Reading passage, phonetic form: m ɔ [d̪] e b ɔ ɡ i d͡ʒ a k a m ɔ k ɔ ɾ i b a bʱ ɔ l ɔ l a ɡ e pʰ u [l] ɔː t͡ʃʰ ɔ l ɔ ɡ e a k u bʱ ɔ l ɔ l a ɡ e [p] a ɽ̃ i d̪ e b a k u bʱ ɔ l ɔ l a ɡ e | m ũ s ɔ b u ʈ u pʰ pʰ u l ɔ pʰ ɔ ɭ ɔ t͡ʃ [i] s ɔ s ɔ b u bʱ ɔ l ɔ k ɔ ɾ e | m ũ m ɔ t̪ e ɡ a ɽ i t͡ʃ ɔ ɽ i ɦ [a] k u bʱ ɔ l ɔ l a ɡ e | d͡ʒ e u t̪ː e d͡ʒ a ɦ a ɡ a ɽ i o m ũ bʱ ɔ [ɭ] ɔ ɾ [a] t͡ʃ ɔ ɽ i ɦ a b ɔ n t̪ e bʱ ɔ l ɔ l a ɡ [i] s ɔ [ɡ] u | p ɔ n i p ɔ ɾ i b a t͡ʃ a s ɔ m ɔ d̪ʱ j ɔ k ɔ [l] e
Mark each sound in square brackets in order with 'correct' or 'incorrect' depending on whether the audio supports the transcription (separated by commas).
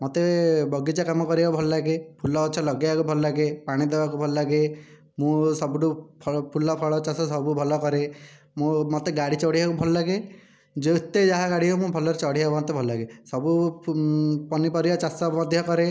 incorrect, correct, correct, incorrect, correct, incorrect, incorrect, incorrect, incorrect, incorrect